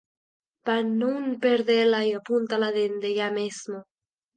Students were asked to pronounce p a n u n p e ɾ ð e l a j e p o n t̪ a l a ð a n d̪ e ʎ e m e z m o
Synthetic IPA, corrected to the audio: p a n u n p e ɾ ð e l a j a p u n t̪ a l a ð e n d̪ e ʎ a m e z m o